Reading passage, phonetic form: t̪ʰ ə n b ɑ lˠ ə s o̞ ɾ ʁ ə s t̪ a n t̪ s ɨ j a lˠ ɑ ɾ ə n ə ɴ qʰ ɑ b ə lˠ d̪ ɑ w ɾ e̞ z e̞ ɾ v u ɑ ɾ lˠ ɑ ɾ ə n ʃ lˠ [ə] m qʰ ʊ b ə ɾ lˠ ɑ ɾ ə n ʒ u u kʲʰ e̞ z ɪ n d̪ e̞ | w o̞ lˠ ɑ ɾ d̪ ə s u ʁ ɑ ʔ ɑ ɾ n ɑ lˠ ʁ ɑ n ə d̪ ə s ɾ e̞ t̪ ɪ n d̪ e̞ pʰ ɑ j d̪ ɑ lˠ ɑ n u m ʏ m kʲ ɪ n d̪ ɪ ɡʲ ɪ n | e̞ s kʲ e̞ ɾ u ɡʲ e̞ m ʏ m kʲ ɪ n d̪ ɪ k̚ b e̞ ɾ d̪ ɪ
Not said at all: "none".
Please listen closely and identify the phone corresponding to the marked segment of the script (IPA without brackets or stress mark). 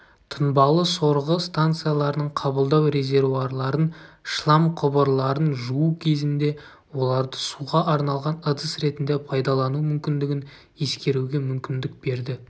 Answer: ɑ